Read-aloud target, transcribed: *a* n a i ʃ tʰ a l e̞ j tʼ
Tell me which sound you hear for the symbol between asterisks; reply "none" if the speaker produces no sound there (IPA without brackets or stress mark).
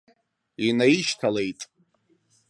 i